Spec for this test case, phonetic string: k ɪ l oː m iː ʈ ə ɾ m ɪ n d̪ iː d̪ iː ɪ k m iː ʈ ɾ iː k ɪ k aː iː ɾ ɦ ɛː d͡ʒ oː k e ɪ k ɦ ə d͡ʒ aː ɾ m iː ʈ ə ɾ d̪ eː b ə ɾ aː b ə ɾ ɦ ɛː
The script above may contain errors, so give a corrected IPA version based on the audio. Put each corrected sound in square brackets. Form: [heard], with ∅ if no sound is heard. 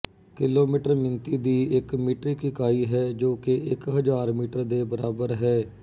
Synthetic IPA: k ɪ l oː m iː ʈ ə ɾ m ɪ n [t̪] iː d̪ iː ɪ k m iː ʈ ɾ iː k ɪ k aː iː [∅] ɦ ɛː d͡ʒ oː k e ɪ k ɦ ə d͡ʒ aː ɾ m iː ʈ ə ɾ d̪ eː b ə ɾ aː b ə ɾ ɦ ɛː